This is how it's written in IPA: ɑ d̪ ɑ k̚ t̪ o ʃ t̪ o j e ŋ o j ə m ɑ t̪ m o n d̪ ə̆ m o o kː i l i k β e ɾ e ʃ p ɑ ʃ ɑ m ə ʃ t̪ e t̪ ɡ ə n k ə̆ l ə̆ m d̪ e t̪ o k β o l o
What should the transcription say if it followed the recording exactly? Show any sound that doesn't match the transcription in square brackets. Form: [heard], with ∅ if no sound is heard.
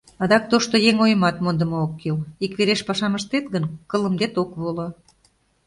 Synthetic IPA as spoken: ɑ d̪ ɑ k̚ t̪ o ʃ t̪ o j e ŋ o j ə m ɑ t̪ m o n d̪ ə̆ m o o kː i l i k β e ɾ e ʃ p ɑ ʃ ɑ m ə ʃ t̪ e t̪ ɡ ə n k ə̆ l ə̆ m d̪ e t̪ o k β o l o

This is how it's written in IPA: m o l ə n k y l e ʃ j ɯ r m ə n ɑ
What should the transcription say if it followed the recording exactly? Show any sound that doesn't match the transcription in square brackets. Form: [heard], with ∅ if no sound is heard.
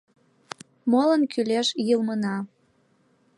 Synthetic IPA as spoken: m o l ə n k y l e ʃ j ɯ [l] m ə n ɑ

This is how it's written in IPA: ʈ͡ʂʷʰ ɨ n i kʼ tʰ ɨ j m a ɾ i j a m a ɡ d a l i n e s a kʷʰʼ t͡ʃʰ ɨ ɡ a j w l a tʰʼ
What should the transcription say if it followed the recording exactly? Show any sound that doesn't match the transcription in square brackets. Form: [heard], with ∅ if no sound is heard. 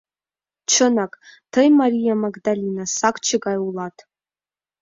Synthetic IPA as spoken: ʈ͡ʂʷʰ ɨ n [a] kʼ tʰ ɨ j m a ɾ i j a m a ɡ d a l i n [a] s a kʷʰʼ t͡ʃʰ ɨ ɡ a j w l a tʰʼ

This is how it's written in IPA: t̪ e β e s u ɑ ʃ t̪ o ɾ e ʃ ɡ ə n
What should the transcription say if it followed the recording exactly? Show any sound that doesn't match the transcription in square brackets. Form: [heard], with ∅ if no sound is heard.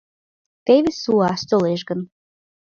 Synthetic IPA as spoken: t̪ e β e s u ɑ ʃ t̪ o [l] e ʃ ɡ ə n

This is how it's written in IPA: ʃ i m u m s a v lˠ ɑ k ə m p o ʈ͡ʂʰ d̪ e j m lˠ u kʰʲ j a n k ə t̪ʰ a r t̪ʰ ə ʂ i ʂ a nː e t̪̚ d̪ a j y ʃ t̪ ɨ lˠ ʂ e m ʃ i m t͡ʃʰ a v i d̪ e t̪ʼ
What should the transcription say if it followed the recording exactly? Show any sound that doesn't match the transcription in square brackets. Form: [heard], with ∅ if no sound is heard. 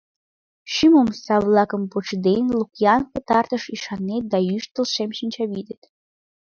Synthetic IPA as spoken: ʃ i m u m s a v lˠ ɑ k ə m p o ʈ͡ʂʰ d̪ e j [n] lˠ u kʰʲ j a n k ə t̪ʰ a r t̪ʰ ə ʂ i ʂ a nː e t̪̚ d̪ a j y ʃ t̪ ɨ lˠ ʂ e m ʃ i [n] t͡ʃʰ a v i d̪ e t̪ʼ

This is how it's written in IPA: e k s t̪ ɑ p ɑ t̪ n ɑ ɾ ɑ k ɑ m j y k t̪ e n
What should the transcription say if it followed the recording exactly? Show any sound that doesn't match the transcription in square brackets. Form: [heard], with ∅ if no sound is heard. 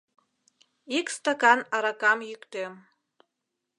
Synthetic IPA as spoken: [i] k s t̪ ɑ [k] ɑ [∅] n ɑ ɾ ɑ k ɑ m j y k t̪ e [m]

